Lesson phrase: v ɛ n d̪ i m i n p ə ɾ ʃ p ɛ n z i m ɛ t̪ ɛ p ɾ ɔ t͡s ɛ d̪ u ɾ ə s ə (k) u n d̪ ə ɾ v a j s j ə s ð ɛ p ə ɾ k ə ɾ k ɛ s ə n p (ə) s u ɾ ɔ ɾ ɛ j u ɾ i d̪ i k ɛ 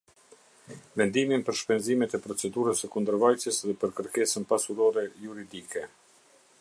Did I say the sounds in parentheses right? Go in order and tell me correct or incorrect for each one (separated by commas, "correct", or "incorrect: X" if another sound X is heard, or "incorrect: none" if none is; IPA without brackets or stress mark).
correct, incorrect: a